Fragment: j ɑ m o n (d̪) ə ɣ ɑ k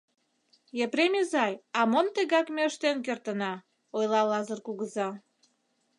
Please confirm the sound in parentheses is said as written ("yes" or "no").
no